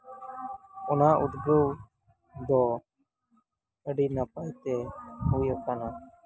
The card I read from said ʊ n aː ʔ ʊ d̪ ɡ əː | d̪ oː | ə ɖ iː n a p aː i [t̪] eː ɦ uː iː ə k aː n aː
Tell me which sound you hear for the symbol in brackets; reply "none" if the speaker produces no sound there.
t̪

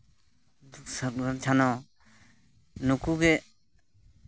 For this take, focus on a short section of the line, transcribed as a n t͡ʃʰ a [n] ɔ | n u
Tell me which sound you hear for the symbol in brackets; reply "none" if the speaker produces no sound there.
n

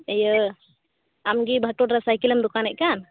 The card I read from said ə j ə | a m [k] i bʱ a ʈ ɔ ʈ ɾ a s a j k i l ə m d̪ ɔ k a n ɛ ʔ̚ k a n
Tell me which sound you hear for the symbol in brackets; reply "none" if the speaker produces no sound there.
ɡ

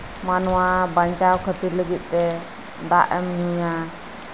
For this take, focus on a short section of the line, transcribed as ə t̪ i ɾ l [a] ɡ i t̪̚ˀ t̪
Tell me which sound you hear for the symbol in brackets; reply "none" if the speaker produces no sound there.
ə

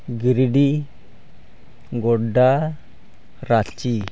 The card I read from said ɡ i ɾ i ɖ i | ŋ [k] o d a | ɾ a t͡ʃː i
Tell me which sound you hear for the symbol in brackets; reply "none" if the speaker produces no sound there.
ɡ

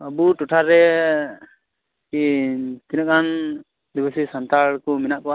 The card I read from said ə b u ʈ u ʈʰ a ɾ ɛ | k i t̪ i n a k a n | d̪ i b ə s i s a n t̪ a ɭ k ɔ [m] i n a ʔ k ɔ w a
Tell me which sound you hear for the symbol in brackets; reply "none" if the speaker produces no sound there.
m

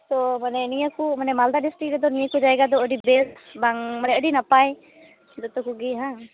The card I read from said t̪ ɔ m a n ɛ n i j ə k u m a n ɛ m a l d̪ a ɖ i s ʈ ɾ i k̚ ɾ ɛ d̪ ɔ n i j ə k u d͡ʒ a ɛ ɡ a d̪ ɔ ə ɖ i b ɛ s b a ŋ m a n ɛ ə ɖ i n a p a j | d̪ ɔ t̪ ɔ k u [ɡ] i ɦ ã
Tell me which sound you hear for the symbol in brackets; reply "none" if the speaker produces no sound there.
ɡ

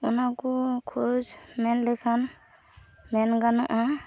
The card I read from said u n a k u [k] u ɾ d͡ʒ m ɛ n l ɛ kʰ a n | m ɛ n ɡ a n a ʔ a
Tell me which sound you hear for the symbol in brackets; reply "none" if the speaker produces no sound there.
kʰ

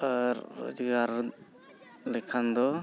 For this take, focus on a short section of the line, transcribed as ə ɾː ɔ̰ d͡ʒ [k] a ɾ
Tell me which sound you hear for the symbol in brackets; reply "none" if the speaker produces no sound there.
ɡ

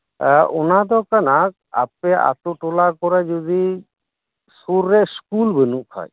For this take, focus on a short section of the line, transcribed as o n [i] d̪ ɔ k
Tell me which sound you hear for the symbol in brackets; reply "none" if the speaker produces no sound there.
a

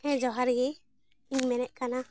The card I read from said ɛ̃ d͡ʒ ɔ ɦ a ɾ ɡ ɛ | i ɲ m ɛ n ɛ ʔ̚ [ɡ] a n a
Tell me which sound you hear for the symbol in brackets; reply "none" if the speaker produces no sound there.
k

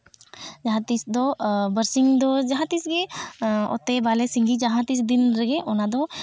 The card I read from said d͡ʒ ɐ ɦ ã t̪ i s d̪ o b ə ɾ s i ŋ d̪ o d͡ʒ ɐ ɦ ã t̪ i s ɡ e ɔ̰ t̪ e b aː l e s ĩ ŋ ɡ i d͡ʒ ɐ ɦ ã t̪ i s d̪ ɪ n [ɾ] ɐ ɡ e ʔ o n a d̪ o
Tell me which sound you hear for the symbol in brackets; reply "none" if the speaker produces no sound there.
ɾ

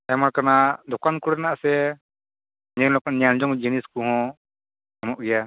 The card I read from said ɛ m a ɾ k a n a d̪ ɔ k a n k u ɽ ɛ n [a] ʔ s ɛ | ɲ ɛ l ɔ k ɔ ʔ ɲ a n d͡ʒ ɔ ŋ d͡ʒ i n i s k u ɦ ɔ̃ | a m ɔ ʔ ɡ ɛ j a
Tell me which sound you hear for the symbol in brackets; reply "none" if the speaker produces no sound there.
a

